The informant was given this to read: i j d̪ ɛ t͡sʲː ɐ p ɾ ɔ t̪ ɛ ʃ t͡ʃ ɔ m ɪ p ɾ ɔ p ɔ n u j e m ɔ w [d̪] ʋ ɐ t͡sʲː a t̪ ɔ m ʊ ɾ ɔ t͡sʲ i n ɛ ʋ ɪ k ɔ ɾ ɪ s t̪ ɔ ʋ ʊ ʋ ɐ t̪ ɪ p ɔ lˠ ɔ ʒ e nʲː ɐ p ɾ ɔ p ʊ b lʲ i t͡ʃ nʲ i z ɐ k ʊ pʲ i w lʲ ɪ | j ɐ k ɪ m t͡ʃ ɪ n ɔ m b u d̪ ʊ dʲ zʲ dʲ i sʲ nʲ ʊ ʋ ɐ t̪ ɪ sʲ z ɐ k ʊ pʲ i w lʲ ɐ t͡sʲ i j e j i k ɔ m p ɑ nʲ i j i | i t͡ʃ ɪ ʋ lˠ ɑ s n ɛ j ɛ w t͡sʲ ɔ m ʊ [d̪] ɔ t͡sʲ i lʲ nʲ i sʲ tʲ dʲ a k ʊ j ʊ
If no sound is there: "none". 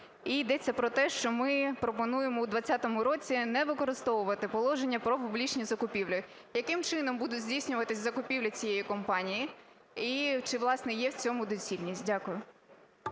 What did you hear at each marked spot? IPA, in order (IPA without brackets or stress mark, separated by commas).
d̪, d̪